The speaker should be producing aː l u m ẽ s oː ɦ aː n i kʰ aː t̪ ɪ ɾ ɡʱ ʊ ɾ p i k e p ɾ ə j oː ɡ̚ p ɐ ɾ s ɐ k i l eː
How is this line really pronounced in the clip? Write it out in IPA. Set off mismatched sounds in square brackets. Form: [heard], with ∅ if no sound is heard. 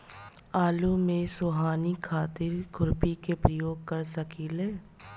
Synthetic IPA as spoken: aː l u m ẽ s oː ɦ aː n i kʰ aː t̪ ɪ ɾ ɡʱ ʊ ɾ p i k e p ɾ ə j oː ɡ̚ [k] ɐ ɾ s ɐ k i l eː